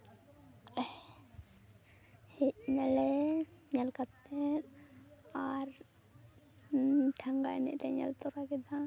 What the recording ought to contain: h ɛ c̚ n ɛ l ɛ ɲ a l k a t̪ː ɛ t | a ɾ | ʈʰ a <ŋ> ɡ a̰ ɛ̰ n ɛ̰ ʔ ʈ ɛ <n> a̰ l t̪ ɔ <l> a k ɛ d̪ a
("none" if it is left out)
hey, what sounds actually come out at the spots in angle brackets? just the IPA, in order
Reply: ŋ, ɲ, ɾ

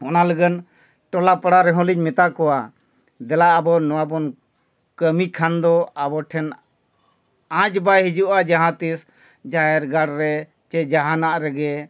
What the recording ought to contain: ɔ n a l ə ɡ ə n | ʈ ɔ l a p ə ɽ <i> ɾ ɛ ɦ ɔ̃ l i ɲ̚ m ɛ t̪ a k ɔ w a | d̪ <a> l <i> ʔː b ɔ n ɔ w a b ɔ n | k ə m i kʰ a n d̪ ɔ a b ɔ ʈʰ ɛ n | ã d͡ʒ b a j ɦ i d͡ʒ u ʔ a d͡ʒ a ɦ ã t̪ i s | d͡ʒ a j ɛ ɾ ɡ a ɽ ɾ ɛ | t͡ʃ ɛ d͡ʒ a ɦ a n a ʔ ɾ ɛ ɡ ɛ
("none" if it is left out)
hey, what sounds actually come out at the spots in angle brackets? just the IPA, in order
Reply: a, ɛ, a

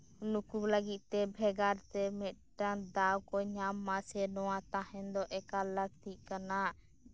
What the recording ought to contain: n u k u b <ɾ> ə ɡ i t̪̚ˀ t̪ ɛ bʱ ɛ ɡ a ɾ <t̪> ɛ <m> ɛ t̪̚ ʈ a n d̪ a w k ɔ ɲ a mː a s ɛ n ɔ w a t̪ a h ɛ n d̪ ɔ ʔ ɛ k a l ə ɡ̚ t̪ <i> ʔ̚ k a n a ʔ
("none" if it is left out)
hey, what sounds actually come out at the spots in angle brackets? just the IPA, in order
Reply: l, t̪, m, i

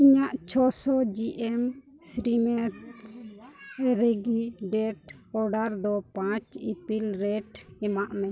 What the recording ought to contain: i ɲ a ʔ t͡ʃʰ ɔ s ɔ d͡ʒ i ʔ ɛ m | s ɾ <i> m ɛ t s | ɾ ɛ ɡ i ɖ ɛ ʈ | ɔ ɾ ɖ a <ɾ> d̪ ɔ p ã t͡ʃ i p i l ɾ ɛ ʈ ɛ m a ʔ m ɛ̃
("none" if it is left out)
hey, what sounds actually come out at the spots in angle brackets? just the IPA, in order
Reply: i, ɾ

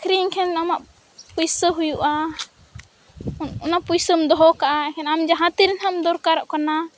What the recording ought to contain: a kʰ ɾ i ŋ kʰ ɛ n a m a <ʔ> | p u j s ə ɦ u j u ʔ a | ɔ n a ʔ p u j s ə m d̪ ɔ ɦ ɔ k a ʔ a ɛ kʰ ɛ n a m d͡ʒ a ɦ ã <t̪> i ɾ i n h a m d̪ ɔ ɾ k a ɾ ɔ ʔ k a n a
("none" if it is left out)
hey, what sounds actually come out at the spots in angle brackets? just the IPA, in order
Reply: ʔ, t̪

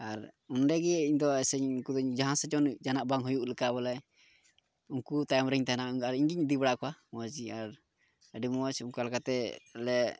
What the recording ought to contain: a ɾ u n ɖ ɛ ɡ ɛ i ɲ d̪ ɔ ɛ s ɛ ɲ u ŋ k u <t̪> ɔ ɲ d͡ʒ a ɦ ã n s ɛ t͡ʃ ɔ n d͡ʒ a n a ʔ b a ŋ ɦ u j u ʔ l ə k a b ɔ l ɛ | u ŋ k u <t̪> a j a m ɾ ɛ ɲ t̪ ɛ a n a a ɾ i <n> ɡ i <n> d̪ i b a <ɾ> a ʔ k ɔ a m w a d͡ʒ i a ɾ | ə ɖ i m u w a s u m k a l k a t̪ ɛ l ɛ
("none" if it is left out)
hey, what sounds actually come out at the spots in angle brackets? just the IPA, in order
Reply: d̪, t̪, ɲ, ɲ, ɽ

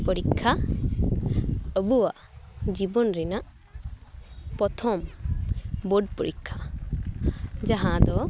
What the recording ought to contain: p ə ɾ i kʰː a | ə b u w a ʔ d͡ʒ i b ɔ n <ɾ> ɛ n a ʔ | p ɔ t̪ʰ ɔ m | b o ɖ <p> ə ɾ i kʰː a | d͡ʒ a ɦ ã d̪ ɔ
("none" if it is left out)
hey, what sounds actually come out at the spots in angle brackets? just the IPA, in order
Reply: ɾ, p

